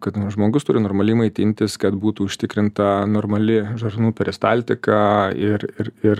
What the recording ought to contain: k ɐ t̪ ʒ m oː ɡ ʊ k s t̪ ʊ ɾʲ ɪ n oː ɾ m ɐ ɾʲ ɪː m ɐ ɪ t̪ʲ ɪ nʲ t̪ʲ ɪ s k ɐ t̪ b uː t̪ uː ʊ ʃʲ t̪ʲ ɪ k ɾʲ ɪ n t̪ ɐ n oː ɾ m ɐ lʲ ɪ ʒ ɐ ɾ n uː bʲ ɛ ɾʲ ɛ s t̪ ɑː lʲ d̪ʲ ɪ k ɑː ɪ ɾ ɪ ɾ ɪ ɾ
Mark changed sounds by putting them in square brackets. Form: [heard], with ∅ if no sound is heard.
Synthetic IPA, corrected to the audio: k ɐ t̪ ʒ m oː ɡ ʊ [∅] s t̪ ʊ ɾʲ ɪ n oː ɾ m ɐ [lʲ] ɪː m ɐ ɪ t̪ʲ ɪ nʲ t̪ʲ ɪ s k ɐ t̪ b uː t̪ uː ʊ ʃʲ t̪ʲ ɪ k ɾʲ ɪ n t̪ ɐ n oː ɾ m ɐ lʲ ɪ ʒ ɐ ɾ n uː [pʲ] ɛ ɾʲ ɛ s t̪ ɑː lʲ [t̪ʲ] ɪ k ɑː ɪ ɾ ɪ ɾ ɪ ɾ